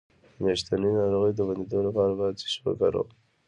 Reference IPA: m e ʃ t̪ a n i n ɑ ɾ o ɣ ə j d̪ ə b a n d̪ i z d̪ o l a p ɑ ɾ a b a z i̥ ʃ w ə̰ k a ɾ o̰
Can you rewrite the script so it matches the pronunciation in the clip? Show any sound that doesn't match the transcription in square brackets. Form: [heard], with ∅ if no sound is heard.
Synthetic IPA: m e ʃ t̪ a n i n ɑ ɾ o ɣ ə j d̪ ə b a n d̪ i [∅] d̪ o l a p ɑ ɾ a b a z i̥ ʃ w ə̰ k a ɾ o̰